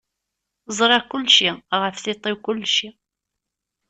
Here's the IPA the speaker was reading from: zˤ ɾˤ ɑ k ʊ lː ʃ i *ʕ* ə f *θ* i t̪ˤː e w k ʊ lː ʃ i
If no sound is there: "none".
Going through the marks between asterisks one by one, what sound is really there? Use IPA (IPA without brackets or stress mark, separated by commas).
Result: ʁ, θ